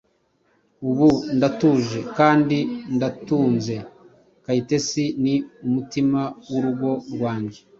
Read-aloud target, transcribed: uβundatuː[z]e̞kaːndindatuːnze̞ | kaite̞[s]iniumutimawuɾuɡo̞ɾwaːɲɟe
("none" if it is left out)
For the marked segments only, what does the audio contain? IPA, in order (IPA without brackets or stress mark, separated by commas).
ʒ, s